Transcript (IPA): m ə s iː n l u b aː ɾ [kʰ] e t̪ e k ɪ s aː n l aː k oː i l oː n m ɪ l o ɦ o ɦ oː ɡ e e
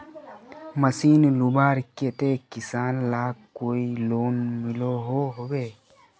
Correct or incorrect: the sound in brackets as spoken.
incorrect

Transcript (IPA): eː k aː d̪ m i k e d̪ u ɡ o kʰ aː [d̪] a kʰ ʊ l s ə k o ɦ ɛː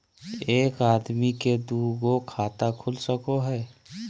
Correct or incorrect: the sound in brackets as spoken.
incorrect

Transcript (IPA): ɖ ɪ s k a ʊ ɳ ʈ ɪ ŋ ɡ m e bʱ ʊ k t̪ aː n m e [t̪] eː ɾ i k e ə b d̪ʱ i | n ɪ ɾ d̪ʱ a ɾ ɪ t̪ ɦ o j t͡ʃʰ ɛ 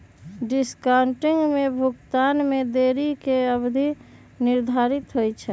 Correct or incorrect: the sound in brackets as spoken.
incorrect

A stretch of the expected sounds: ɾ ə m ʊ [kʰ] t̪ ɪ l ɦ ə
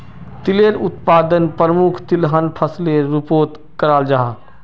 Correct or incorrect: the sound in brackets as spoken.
correct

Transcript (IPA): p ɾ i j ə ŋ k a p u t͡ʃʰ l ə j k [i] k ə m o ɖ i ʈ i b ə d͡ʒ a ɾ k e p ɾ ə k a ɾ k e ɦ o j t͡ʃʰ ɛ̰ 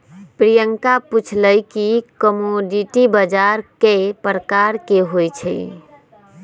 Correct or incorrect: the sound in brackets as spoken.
correct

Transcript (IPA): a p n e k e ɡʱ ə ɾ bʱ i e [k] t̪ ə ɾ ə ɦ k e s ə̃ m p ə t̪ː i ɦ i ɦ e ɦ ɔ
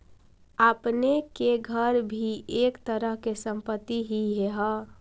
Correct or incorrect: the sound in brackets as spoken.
correct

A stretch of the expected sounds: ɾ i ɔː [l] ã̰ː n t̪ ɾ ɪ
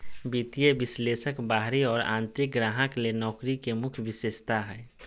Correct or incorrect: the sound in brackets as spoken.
incorrect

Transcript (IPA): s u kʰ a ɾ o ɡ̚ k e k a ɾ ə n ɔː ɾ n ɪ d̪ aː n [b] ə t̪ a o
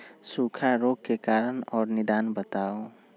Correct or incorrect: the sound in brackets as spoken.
correct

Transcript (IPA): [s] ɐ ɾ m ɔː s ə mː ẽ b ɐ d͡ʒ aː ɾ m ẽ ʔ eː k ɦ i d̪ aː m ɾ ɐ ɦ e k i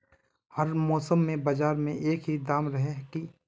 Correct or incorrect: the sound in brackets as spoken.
incorrect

